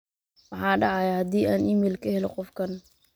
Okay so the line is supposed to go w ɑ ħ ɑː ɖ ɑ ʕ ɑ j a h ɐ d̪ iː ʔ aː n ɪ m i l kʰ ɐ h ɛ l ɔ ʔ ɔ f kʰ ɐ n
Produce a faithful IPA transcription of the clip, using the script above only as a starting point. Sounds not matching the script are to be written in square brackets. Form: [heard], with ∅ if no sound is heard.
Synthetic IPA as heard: w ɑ ħ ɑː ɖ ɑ ʕ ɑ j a h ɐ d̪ iː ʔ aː n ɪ m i l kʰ ɐ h ɛ l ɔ [q] ɔ f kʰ ɐ n

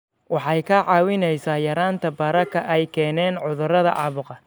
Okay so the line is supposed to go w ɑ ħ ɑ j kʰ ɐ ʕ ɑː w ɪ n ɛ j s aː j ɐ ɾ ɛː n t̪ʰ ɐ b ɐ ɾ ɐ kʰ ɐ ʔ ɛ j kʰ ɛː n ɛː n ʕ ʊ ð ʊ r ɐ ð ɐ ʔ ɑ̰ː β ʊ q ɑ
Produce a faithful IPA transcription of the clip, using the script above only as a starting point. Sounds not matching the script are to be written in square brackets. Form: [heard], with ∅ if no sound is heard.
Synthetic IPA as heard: w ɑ ħ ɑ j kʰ ɐ ʕ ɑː w ɪ n ɛ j s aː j ɐ ɾ [aː] n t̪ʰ ɐ b ɐ ɾ ɐ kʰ ɐ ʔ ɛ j kʰ ɛː n ɛː n ʕ ʊ ð ʊ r ɐ ð ɐ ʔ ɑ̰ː β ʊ q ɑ

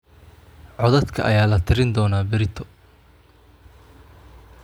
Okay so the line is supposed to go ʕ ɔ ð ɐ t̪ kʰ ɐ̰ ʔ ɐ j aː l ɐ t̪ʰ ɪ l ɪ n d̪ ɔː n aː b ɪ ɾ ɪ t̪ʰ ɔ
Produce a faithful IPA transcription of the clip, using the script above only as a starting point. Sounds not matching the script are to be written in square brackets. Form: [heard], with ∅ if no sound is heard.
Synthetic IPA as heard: ʕ ɔ ð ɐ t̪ kʰ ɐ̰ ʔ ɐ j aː l ɐ t̪ʰ ɪ [ɾ] ɪ n d̪ ɔː n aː b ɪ ɾ ɪ t̪ʰ ɔ

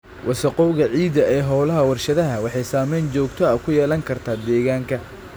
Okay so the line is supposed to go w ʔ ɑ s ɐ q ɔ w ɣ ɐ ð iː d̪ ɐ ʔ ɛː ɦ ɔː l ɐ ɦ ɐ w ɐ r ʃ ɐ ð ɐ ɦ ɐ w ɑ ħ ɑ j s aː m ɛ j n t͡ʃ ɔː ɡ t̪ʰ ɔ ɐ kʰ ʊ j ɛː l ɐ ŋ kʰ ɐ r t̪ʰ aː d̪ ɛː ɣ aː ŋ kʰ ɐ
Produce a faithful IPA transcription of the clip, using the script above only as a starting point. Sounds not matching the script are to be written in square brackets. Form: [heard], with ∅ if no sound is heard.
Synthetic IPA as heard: w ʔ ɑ s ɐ q ɔ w ɣ ɐ [ʕ] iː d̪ ɐ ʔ ɛː ɦ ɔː l ɐ ɦ ɐ w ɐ r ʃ ɐ ð ɐ ɦ ɐ w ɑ ħ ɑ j s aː m ɛ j n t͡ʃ ɔː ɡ t̪ʰ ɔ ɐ kʰ ʊ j ɛː l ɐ ŋ kʰ ɐ r t̪ʰ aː d̪ ɛː ɣ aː ŋ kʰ ɐ

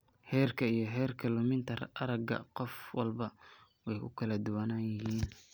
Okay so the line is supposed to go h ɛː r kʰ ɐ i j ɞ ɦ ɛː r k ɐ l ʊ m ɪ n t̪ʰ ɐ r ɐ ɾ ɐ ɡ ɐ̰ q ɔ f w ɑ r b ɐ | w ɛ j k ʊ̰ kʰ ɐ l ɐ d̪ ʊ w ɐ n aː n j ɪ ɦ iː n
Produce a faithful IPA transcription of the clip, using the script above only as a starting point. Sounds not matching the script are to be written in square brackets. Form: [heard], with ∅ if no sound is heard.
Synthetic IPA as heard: h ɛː r kʰ ɐ i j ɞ ɦ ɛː r [kʰ] ɐ l ʊ m ɪ n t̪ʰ ɐ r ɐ ɾ ɐ ɡ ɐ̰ q ɔ f w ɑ [l] b ɐ | w ɛ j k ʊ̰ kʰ ɐ l ɐ d̪ ʊ w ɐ n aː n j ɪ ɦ iː n

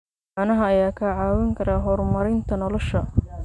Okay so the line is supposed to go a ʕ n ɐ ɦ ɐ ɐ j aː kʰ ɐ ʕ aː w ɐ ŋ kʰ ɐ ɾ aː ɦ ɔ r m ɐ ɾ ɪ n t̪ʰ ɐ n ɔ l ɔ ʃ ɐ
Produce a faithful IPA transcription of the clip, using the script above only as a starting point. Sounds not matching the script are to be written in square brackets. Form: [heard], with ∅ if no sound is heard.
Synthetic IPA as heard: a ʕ n ɐ ɦ ɐ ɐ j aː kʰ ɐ ʕ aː w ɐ ŋ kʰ ɐ ɾ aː ɦ ɔ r m ɐ ɾ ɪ n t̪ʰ ɐ n ɔ l ɔ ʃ ɐ

